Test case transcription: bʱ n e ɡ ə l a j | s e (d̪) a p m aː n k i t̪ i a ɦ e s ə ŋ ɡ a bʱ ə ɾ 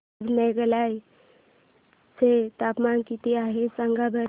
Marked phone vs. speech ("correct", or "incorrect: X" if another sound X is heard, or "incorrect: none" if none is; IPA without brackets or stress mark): incorrect: t̪